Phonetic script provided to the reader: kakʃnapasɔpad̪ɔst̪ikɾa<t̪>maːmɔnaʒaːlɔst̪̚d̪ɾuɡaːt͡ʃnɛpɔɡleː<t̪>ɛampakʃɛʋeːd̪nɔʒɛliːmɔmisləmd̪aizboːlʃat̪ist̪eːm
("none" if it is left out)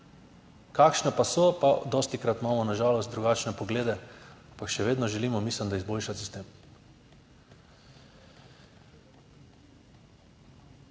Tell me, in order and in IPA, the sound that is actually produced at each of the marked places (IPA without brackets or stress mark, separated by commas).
t̪, d̪